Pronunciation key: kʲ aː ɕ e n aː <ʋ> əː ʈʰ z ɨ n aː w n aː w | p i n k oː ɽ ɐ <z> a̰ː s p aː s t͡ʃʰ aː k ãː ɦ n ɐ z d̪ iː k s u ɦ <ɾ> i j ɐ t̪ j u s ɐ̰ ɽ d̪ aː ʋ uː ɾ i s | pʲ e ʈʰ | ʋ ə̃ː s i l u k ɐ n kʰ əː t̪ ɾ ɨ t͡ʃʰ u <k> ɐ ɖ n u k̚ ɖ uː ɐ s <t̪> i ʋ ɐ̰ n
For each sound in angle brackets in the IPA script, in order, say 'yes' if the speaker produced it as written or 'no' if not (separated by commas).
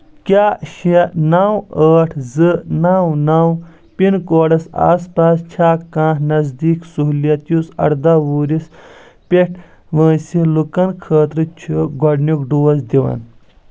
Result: no, no, no, no, no